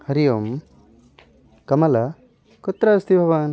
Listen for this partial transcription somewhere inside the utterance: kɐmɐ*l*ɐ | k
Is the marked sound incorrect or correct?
correct